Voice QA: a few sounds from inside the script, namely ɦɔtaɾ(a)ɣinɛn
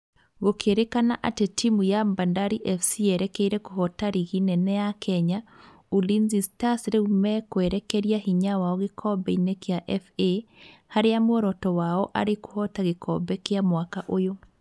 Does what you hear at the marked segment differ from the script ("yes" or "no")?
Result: yes